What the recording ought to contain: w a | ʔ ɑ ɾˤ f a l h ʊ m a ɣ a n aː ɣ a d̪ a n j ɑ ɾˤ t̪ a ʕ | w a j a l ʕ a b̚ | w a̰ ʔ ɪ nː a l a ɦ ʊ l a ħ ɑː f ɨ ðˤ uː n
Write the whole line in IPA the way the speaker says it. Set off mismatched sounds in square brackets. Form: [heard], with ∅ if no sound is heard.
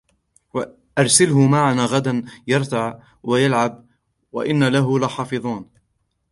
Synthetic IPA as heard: w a | ʔ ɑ ɾˤ [s] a l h ʊ m a [ʕ] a n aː ɣ a d̪ a n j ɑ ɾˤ t̪ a ʕ | w a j a l ʕ a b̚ | w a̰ ʔ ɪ nː a l a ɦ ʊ l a ħ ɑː f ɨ ðˤ uː n